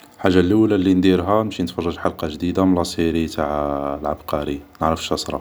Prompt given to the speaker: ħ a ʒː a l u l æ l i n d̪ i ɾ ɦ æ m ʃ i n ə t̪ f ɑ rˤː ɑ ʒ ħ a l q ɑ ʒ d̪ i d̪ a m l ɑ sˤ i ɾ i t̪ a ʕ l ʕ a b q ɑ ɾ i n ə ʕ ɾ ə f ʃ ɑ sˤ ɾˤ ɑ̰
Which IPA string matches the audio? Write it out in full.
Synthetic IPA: ħ a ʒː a l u l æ l i n d̪ i ɾ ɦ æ m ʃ i n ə t̪ f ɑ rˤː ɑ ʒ ħ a l q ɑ ʒ d̪ i d̪ a m l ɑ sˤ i ɾ i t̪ a ʕ l ʕ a b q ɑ ɾ i n ə ʕ ɾ ə f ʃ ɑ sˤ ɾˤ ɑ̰